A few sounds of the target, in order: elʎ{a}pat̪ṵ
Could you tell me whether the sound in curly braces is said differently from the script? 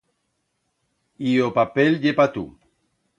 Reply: yes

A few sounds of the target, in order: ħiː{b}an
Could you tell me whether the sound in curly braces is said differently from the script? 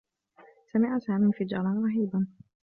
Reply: no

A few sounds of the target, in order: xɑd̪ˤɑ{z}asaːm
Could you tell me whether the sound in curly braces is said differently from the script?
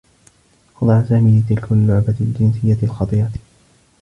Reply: yes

